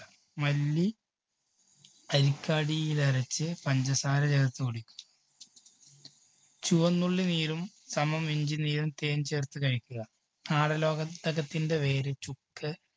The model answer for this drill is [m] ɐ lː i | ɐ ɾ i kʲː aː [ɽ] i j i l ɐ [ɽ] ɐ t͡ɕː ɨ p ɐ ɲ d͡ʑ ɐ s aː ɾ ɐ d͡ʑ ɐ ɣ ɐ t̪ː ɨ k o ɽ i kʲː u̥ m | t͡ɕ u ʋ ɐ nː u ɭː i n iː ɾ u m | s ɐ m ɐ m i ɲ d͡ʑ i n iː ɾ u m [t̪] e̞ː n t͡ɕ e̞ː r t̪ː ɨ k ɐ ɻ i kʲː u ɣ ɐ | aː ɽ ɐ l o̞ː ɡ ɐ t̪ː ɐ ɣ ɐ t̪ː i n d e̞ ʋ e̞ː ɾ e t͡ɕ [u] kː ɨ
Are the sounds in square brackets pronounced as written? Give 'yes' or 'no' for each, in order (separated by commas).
yes, yes, no, yes, yes